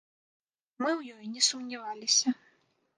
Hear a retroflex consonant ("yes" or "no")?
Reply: no